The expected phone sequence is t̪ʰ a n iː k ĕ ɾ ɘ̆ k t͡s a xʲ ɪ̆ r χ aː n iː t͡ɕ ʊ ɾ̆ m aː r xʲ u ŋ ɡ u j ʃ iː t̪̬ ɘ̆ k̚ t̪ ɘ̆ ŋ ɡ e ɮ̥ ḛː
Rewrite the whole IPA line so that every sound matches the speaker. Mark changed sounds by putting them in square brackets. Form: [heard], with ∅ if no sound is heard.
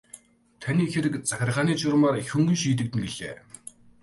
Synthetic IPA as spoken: t̪ʰ a n iː [x] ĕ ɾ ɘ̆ k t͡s a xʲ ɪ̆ r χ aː n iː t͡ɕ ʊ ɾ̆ m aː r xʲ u ŋ ɡ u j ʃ iː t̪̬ ɘ̆ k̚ t̪ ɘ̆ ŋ ɡ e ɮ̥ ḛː